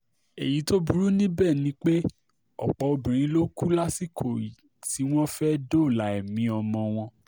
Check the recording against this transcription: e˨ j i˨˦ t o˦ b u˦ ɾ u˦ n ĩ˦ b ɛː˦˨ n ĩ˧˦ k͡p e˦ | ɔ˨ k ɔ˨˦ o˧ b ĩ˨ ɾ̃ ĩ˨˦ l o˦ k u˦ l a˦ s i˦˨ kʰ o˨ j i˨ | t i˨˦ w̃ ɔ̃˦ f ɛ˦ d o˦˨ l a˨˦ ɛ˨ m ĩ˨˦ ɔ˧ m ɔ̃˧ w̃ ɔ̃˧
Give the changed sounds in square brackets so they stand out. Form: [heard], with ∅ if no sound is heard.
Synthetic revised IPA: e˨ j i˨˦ t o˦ b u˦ ɾ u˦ n ĩ˦ b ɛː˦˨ n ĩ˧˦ k͡p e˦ | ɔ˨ [k͡p] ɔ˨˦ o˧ b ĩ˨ ɾ̃ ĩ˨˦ l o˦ k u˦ l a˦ s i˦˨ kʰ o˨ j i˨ | t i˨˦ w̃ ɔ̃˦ f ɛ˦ d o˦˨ l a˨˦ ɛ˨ m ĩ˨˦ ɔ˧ m ɔ̃˧ w̃ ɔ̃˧